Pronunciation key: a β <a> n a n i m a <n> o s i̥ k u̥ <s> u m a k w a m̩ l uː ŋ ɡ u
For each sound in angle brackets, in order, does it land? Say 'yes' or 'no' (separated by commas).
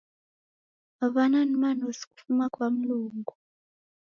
yes, yes, no